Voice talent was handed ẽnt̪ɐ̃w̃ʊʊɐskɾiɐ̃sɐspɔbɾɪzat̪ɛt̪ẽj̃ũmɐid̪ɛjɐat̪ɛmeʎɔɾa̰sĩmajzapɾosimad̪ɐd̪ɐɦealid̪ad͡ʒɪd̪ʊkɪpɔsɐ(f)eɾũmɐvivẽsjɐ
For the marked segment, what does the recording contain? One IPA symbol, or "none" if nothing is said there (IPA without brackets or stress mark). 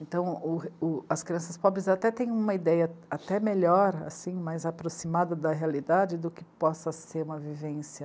s